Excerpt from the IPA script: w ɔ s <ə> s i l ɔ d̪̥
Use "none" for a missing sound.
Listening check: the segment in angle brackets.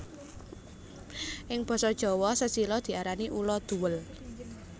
ə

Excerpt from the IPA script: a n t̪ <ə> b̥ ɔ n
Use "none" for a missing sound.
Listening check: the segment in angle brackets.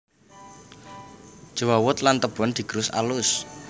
ə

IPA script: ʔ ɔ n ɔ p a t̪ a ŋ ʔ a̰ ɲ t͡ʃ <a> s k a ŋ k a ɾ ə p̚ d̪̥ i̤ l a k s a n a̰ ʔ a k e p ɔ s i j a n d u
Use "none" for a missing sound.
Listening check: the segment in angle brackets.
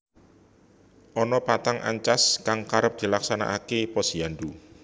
a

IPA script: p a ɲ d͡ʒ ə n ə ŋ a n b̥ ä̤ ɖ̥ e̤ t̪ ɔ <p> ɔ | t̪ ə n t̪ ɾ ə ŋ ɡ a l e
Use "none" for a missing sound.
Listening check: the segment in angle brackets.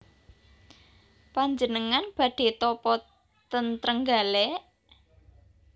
p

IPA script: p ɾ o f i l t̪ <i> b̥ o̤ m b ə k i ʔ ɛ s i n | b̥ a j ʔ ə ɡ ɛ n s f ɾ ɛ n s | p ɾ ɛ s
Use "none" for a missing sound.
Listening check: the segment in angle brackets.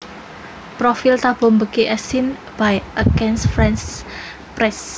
a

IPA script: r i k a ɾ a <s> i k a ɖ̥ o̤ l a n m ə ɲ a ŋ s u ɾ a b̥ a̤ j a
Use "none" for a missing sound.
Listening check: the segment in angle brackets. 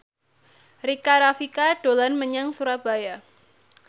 f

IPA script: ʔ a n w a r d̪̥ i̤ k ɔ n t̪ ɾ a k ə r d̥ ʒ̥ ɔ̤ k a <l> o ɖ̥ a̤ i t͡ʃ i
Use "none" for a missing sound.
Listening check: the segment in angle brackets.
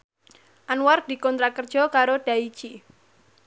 ɾ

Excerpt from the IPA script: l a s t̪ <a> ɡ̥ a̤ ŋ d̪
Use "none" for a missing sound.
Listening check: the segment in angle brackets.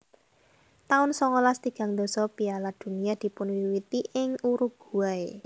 i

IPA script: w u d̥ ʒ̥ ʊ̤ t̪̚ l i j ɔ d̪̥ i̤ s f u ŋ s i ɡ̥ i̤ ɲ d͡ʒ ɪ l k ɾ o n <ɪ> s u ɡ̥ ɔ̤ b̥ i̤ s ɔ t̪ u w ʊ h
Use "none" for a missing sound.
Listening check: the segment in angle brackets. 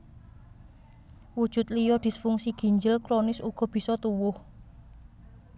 ɪ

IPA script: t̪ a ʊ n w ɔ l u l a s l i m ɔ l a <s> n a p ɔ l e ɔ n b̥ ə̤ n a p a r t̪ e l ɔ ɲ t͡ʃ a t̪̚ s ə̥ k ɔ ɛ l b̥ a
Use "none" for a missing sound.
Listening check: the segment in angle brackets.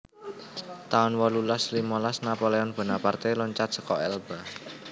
s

